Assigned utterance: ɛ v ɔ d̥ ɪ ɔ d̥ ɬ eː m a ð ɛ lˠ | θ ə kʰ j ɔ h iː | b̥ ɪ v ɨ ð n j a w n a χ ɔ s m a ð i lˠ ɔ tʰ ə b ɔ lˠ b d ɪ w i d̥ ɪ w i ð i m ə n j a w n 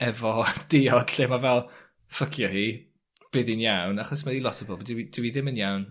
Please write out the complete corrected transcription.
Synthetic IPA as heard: ɛ v ɔ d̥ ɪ ɔ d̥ ɬ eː m a v ɛ lˠ | f ə kʰ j ɔ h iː | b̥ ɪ ð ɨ n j a w n a χ ɔ s m a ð i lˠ ɔ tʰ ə b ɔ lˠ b d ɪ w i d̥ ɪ w i ð ɪ m ə n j a w n